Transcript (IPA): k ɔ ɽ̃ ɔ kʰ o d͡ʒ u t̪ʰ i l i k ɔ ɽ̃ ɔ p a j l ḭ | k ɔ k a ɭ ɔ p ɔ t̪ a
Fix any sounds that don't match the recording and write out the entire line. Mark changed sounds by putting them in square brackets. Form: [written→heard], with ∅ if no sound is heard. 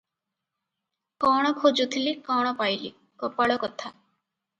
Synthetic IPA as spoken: k ɔ ɽ̃ ɔ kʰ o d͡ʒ u t̪ʰ i l i k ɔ ɽ̃ ɔ p a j l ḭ | k ɔ [k→p] a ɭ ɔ [p→k] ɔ [t̪→t̪ʰ] a